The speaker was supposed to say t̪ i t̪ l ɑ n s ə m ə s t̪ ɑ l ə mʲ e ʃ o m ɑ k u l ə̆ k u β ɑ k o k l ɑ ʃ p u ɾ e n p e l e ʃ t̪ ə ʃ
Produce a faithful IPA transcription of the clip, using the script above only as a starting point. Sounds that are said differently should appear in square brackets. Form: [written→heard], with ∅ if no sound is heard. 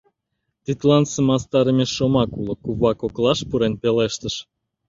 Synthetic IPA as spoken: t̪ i t̪ l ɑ n s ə m [ə→ɑ] s t̪ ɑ [l→ɾ] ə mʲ e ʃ o m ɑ k u l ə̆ k u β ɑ k o k l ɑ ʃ p u ɾ e n p e l e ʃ t̪ ə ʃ